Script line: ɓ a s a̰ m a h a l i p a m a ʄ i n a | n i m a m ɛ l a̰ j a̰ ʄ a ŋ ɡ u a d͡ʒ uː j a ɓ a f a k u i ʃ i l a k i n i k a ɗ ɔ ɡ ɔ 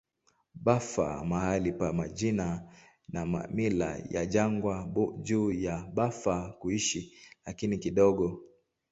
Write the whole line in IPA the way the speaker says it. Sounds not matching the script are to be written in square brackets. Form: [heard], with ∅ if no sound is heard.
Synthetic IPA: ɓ a [f] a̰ m a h a l i p a m a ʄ i n a | n [a] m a m [i] l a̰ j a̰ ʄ a ŋ ɡ [w] a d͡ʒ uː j a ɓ a f a k u i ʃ i l a k i n i k [i] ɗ ɔ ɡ ɔ